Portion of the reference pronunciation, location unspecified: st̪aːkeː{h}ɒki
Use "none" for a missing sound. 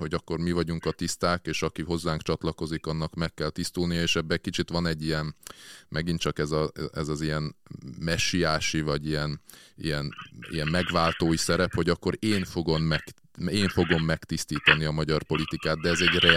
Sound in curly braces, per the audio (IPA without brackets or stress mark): ʃ